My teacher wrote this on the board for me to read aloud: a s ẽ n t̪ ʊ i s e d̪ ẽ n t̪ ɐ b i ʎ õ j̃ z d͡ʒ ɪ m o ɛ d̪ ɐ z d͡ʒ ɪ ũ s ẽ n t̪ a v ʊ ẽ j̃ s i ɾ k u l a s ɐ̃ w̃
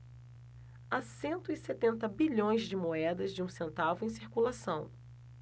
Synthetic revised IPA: a s ẽ n t̪ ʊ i s e t̪ ẽ n t̪ ɐ b i ʎ õ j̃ z d͡ʒ ɪ m o ɛ d̪ ɐ z d͡ʒ ɪ ũ s ẽ n t̪ a v ʊ ẽ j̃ s i ɾ k u l a s ɐ̃ w̃